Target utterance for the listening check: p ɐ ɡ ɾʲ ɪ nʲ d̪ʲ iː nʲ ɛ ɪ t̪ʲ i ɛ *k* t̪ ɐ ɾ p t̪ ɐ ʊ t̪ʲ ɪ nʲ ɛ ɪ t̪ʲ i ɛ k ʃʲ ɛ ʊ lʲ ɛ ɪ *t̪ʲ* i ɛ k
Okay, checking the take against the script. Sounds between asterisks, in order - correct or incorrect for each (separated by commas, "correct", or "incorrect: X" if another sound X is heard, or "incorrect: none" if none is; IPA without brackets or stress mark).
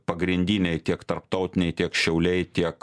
correct, correct